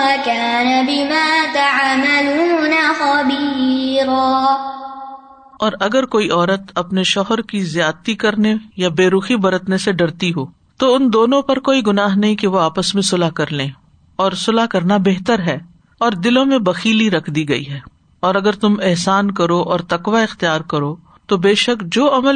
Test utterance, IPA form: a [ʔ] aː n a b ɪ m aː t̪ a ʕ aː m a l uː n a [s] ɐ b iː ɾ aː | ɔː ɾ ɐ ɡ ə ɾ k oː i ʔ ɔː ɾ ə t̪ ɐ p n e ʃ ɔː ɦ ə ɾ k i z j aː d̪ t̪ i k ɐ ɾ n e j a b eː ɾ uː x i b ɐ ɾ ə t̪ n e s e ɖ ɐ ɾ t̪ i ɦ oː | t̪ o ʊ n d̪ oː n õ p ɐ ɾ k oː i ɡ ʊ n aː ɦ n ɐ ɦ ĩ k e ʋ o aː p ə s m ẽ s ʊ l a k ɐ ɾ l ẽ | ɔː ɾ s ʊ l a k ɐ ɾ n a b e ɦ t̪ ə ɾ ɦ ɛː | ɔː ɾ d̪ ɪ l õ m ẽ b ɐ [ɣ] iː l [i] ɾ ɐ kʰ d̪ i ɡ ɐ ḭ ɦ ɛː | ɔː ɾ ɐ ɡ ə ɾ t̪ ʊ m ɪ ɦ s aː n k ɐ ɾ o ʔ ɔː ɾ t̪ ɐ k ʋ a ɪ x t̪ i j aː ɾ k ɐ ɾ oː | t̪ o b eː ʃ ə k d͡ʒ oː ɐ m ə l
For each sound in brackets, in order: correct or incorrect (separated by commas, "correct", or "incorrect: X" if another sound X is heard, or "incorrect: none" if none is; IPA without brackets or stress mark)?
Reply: incorrect: k, incorrect: x, incorrect: x, correct